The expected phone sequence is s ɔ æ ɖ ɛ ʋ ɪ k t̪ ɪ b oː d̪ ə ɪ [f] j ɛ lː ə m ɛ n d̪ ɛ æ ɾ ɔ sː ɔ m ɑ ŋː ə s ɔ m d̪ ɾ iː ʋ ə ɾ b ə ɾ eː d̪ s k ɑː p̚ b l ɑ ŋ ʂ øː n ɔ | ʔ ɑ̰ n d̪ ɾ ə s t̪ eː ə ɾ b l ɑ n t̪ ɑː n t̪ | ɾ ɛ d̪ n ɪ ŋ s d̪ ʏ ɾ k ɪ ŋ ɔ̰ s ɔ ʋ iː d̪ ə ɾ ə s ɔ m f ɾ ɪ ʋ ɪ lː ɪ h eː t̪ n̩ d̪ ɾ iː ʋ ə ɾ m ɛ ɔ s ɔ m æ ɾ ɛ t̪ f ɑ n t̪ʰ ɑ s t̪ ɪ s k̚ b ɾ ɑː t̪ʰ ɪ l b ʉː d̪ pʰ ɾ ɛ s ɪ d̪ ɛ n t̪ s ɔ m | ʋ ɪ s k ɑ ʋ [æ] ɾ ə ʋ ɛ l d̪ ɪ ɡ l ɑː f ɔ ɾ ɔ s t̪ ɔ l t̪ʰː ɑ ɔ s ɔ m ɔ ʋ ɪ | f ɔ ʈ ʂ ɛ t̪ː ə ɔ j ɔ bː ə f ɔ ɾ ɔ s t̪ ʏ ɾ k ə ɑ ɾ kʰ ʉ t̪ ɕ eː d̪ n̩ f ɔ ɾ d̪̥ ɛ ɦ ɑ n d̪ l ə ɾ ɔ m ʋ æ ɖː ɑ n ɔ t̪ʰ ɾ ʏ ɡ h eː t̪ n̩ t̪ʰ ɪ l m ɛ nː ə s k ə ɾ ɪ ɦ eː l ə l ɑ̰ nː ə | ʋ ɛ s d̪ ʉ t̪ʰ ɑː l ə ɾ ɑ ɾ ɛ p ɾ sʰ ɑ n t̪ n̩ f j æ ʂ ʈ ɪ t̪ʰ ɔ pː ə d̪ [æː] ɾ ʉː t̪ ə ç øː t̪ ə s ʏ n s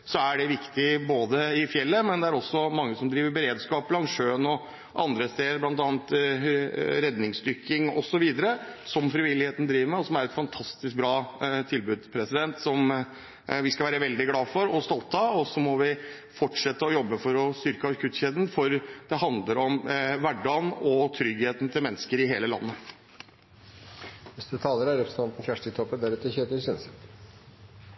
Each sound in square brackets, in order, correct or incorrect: correct, incorrect, incorrect

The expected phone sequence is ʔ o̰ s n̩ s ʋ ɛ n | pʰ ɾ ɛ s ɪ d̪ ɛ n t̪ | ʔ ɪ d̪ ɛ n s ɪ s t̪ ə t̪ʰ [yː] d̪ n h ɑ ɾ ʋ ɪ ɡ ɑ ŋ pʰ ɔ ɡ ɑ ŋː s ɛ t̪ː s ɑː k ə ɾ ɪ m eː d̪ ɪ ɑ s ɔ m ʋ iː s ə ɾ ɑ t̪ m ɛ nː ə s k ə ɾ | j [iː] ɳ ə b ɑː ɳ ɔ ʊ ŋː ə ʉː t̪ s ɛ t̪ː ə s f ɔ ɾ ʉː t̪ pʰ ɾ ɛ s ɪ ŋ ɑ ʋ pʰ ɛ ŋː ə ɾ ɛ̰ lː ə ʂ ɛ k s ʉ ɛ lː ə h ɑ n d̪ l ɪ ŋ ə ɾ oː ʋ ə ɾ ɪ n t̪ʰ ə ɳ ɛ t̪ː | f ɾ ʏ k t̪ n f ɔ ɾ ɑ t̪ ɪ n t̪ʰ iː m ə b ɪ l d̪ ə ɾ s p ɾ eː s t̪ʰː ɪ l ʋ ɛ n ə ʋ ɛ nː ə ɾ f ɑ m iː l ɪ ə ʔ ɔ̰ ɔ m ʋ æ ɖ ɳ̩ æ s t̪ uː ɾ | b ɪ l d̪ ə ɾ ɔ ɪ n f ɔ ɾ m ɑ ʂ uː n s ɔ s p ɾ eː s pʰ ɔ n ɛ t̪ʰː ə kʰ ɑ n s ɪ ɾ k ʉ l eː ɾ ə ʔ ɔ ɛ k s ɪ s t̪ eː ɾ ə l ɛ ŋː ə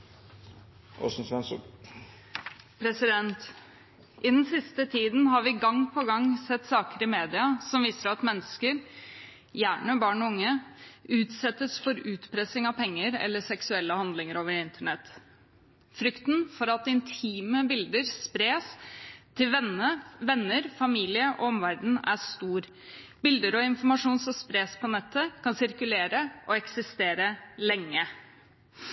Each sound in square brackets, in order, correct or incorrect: incorrect, incorrect

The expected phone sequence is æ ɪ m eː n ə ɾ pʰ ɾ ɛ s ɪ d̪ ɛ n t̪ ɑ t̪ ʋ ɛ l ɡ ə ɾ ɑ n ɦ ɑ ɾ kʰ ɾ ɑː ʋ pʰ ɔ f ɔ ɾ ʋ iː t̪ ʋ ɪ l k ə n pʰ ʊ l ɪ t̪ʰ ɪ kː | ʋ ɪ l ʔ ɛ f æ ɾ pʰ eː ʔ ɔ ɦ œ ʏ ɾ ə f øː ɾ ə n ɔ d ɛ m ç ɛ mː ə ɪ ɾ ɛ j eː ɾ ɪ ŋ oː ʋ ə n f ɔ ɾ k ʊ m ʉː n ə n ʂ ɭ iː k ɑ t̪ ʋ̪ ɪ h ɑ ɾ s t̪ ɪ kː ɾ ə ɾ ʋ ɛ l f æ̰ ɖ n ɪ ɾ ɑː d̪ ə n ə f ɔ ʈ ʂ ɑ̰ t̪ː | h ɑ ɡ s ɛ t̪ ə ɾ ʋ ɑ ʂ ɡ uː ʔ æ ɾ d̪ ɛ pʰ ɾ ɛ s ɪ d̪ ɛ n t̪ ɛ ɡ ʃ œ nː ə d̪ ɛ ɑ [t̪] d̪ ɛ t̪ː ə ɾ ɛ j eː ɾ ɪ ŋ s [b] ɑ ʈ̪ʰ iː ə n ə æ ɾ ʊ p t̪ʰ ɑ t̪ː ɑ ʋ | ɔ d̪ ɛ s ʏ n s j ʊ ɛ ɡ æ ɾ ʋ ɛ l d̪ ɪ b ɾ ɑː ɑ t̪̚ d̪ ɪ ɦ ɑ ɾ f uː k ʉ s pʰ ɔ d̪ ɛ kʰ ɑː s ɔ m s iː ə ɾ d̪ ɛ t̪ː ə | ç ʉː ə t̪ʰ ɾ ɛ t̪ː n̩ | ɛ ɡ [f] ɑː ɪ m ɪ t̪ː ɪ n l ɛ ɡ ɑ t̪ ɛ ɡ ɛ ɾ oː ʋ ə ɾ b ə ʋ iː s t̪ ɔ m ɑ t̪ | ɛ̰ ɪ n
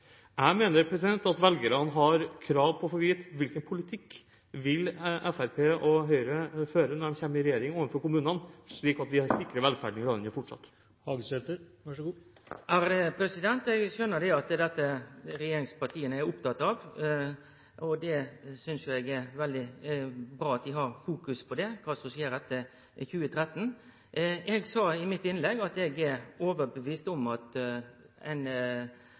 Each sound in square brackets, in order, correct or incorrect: correct, incorrect, incorrect

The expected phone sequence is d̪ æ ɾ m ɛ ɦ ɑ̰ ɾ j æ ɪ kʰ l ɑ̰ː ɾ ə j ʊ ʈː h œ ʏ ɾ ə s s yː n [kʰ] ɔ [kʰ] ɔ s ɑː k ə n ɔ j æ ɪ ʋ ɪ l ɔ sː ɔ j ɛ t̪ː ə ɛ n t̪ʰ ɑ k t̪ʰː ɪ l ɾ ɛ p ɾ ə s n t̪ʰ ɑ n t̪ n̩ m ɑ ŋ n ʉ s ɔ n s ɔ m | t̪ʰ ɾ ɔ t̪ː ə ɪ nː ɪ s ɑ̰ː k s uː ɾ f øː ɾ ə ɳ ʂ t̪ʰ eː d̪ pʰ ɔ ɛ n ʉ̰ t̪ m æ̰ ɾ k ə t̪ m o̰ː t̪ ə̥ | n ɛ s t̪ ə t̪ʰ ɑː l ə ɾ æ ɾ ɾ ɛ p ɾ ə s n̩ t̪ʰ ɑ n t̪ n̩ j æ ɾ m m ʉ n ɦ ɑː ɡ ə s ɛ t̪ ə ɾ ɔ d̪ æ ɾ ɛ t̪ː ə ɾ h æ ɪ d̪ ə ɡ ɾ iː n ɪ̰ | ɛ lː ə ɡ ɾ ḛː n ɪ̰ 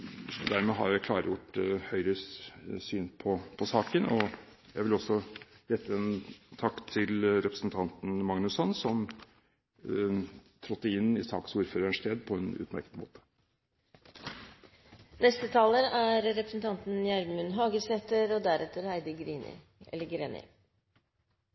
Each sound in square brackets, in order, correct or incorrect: incorrect, incorrect

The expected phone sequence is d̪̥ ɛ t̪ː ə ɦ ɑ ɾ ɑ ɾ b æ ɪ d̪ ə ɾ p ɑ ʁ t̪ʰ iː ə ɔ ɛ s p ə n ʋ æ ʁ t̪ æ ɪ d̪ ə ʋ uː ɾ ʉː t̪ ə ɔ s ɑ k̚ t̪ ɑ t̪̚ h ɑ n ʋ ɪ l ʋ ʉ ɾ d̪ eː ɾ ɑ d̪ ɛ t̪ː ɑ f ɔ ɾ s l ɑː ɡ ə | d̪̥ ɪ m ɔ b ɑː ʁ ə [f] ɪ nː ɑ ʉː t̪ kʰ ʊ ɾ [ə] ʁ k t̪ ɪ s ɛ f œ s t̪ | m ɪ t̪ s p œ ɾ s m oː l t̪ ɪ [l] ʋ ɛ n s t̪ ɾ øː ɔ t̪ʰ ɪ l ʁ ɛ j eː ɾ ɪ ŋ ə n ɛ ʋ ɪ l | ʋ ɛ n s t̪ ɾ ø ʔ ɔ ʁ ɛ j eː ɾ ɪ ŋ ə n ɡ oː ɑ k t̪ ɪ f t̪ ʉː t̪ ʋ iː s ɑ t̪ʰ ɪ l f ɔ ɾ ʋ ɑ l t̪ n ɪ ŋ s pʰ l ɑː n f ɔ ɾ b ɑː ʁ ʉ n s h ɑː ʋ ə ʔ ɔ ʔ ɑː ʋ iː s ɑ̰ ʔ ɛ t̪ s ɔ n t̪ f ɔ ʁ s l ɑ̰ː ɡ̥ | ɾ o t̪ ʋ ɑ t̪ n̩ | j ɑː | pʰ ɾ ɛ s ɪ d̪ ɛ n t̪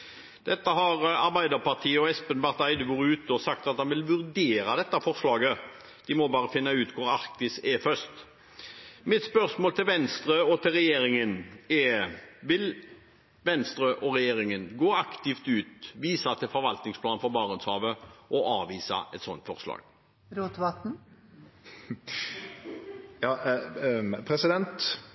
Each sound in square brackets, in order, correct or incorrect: correct, incorrect, correct

